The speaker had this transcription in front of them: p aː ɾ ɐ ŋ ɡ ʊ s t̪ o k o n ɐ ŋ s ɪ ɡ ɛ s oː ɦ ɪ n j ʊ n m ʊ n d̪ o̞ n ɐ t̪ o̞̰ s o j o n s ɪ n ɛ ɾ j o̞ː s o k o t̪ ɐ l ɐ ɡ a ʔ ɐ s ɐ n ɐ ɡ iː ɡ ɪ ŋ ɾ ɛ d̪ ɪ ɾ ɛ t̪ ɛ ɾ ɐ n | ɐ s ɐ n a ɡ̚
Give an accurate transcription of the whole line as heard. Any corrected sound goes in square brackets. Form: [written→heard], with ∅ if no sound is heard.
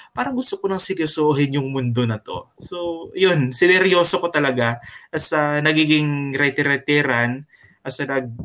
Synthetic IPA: p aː ɾ ɐ ŋ ɡ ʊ s t̪ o k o n ɐ ŋ s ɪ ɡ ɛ s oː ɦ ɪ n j ʊ [n→ŋ] m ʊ n d̪ o̞ n ɐ t̪ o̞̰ s o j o n s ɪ n ɛ ɾ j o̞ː s o k o t̪ ɐ l ɐ ɡ a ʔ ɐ s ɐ n ɐ ɡ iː ɡ ɪ ŋ ɾ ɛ [d̪→t̪] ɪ ɾ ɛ t̪ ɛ ɾ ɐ n | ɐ s ɐ n [a→ɐ] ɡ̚